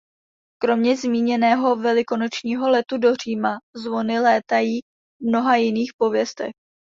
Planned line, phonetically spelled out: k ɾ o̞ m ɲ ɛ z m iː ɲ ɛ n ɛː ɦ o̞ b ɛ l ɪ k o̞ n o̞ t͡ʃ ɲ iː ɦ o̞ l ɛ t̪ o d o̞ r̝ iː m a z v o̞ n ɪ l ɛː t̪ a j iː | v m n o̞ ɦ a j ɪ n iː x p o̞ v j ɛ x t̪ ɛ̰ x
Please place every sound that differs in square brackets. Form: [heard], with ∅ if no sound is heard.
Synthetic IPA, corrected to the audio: k ɾ o̞ m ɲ ɛ z m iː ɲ ɛ n ɛː ɦ o̞ [v] ɛ l ɪ k o̞ n o̞ t͡ʃ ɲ iː ɦ o̞ l ɛ t̪ [u] d o̞ r̝ iː m a z v o̞ n ɪ l ɛː t̪ a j iː | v m n o̞ ɦ a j ɪ n iː x p o̞ v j ɛ [s] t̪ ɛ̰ x